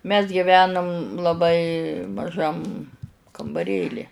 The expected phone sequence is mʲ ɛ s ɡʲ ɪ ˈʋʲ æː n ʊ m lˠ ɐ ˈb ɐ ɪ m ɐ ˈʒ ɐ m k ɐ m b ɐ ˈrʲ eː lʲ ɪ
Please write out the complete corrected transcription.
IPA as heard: mʲ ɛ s ɡʲ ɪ ˈʋʲ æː n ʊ m lˠ ɐ ˈb ɐ ɪ m ɐ ˈʒ ɐ m k ɐ m b ɐ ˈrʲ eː lʲ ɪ